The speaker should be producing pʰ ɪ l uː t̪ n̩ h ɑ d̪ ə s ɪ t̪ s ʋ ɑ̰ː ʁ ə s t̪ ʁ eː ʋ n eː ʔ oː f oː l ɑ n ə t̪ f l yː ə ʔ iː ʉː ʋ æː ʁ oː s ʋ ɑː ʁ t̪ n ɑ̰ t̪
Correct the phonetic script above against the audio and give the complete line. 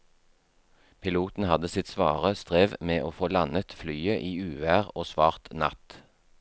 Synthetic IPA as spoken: pʰ ɪ l uː t̪ n̩ h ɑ d̪ ə s ɪ t̪ s ʋ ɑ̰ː ʁ ə s t̪ ʁ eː ʋ m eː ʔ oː f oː l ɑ n ə t̪ f l yː ə ʔ iː ʉː ʋ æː ʁ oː s ʋ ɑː ʁ t̪ n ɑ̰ t̪